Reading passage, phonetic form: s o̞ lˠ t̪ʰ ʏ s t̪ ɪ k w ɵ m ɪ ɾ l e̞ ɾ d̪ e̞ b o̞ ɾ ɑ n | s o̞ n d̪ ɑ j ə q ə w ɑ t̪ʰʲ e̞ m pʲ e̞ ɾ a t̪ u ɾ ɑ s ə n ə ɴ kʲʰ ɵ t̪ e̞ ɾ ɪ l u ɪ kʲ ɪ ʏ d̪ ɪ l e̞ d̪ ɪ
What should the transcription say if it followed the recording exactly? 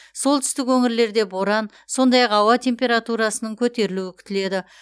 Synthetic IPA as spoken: s o̞ lˠ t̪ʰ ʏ s t̪ ɪ k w ɵ ŋ ɪ ɾ l e̞ ɾ d̪ e̞ b o̞ ɾ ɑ n | s o̞ n d̪ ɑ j ɑ q ɑ w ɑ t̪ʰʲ e̞ m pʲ e̞ ɾ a t̪ u ɾ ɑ s ə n ə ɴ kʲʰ ɵ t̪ e̞ ɾ ɪ l u ɪ kʲ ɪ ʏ t̪ ɪ l e̞ d̪ ɪ